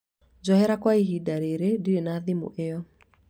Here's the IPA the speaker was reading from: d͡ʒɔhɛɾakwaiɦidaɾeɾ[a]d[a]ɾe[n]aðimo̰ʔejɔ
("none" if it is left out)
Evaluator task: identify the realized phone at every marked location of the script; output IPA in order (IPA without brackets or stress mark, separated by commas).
e, i, n